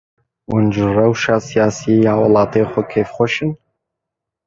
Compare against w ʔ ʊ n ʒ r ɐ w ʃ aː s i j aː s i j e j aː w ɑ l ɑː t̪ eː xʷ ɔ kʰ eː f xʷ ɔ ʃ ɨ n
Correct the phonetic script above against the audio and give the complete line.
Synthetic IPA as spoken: w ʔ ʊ n ʒ r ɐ w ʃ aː s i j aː s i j e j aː w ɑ l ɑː t̪ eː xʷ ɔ kʰ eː f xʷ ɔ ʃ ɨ n